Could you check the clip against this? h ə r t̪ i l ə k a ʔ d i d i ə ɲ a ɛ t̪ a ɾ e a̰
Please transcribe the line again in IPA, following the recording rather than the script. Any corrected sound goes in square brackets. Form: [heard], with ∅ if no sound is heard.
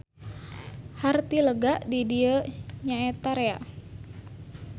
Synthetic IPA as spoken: h [a] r t̪ i l ə [ɡ] a ʔ d i d i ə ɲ a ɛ t̪ a ɾ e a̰